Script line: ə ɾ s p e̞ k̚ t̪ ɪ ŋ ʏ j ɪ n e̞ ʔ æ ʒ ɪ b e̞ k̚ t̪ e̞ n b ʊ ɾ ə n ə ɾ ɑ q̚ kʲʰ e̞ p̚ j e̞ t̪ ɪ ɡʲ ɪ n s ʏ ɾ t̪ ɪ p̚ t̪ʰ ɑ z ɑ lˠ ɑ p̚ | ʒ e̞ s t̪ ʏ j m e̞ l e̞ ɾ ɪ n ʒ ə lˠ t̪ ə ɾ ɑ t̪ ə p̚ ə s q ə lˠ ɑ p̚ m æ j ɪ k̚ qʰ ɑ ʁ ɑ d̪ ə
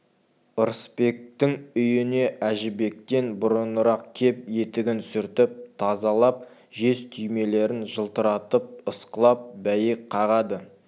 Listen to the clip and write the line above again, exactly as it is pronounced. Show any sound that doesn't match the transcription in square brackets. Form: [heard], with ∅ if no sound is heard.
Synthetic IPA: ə ɾ s p e̞ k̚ t̪ ɪ ŋ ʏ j ɪ n e̞ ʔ æ ʒ ɪ b e̞ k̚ t̪ e̞ n b ʊ ɾ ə n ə ɾ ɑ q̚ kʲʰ e̞ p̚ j e̞ t̪ ɪ ɡʲ ɪ n s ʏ ɾ t̪ ɪ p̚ t̪ʰ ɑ z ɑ lˠ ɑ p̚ | ʒ e̞ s [t̪ʰ] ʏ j m e̞ l e̞ ɾ ɪ n ʒ ə lˠ t̪ ə ɾ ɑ t̪ ə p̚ ə s q ə lˠ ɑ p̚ [b] æ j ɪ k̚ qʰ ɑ ʁ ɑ d̪ ə